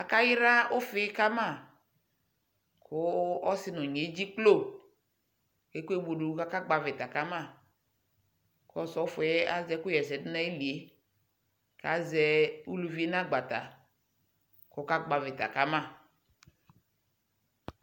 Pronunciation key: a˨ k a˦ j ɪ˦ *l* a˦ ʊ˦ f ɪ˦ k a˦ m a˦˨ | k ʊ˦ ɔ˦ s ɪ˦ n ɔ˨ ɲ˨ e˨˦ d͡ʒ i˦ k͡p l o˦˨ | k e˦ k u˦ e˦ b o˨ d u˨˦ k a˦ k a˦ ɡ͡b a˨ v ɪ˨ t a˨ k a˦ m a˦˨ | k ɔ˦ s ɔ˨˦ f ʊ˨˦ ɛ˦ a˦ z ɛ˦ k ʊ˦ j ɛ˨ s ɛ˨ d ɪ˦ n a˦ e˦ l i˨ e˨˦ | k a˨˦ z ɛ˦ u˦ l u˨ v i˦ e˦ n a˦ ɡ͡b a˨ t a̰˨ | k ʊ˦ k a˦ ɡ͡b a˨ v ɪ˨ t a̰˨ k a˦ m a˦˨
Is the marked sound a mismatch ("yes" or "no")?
yes